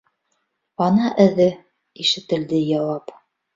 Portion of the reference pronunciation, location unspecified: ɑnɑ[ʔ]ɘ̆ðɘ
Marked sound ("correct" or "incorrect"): correct